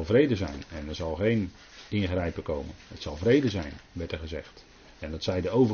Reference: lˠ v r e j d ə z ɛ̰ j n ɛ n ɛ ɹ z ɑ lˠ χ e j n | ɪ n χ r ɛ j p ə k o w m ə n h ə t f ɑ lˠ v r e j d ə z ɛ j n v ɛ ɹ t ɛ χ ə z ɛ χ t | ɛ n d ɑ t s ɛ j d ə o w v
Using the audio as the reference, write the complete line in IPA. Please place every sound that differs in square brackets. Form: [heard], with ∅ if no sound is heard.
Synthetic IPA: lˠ v r e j d ə z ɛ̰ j n ɛ n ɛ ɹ z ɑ lˠ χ e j n | ɪ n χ r ɛ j p ə k o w m ə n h ə t [s] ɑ lˠ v r e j d ə z ɛ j n [ʋ] ɛ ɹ t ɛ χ ə z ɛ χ t | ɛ n d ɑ t s ɛ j d ə o w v